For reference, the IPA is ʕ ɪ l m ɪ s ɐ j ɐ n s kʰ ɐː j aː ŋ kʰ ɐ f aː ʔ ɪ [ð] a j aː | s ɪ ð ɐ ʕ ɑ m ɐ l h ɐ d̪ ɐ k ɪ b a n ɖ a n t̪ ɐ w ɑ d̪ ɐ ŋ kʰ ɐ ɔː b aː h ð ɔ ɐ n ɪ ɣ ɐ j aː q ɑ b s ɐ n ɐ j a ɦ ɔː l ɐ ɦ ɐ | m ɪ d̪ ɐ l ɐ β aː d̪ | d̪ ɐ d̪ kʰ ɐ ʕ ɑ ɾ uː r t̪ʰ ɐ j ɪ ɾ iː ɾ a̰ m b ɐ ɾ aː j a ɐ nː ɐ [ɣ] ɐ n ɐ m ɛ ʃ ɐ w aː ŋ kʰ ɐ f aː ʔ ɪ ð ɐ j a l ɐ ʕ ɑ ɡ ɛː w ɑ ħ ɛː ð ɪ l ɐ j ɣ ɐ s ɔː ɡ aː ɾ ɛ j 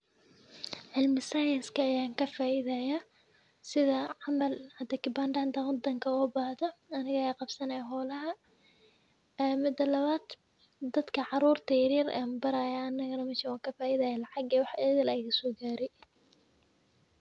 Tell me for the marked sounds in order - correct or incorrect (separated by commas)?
correct, correct